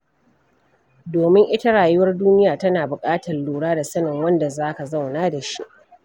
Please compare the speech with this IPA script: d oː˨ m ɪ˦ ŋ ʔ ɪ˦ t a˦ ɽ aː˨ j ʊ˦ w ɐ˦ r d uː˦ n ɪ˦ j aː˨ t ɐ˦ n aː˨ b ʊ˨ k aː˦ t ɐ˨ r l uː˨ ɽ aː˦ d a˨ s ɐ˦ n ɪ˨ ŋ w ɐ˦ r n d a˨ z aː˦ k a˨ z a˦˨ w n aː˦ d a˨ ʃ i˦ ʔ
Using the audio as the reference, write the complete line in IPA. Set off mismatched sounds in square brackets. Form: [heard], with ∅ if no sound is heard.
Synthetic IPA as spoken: d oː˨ m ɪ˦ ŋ ʔ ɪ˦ t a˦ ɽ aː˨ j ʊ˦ w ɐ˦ r d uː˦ n ɪ˦ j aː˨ t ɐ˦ n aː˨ b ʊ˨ [kʼ] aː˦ t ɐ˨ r l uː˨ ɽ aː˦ d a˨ s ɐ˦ n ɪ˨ ŋ w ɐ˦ [∅] n d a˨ z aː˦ k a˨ z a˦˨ w n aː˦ d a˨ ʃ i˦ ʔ